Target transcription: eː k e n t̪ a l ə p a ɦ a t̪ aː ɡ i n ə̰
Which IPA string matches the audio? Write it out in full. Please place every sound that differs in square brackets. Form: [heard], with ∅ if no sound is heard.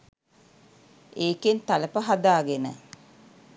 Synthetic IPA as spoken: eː k e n t̪ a l ə p [ə] ɦ a [d̪] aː ɡ [e] n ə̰